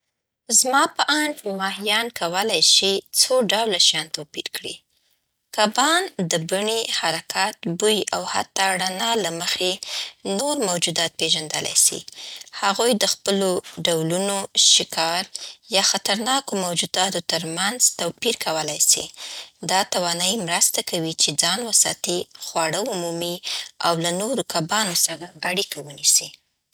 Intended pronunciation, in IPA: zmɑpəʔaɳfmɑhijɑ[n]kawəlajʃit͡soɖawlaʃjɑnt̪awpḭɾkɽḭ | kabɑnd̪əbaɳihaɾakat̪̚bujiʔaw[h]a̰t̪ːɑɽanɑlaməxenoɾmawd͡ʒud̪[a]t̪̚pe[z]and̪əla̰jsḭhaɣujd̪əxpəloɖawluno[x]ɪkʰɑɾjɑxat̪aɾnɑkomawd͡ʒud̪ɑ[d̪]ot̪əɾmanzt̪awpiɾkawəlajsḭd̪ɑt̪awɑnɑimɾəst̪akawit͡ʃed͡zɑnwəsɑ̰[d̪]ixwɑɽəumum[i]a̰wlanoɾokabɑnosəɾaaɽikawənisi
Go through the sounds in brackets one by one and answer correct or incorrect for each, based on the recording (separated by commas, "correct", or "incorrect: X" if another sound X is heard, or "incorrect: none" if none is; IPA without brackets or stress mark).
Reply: correct, correct, incorrect: ɑ, incorrect: ʒ, incorrect: ʃ, incorrect: t̪, incorrect: t̪, correct